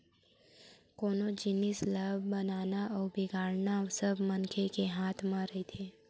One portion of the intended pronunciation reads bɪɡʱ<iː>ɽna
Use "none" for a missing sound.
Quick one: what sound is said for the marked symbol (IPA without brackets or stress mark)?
aː